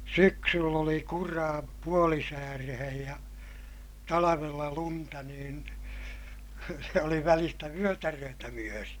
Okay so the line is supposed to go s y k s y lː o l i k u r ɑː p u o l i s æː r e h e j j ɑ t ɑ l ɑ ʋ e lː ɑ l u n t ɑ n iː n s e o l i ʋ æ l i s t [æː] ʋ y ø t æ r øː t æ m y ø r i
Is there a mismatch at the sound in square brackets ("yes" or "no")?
yes